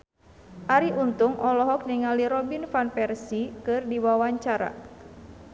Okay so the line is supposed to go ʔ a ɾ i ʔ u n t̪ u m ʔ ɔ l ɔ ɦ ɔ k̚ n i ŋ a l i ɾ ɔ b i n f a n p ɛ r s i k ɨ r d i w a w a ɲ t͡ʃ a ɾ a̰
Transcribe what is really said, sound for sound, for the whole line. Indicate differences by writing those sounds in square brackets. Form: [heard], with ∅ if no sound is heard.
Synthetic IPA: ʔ a ɾ i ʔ u n t̪ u [ŋ] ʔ ɔ l ɔ ɦ ɔ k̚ n i ŋ a l i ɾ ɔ b i n f a n p ɛ r s i k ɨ r d i w a w a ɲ t͡ʃ a ɾ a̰